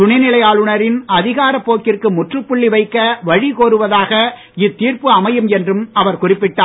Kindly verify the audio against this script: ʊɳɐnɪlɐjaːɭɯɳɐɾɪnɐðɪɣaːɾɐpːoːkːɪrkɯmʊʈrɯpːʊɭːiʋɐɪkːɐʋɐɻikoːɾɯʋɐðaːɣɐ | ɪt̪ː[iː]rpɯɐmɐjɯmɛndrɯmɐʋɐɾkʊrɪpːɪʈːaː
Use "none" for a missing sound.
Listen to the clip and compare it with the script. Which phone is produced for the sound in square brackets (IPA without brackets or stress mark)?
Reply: iː